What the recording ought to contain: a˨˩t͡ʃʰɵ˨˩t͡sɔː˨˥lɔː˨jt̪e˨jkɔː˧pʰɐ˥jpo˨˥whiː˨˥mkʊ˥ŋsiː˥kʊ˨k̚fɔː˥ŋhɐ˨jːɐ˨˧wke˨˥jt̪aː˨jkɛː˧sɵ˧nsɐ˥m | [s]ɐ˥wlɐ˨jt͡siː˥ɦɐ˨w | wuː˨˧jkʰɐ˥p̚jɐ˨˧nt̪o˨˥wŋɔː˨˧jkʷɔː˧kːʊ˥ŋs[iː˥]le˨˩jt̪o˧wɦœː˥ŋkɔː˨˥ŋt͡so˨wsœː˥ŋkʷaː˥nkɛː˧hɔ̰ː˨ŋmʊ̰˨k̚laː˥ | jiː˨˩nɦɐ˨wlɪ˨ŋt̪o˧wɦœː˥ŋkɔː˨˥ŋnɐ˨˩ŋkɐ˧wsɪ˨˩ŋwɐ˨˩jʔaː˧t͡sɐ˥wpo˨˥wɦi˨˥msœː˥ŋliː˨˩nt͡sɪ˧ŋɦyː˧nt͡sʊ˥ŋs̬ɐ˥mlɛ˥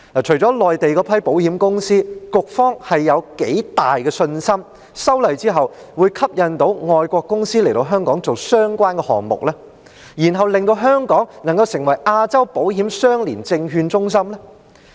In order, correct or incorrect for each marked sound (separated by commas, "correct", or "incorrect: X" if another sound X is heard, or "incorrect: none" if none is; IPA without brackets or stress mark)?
correct, correct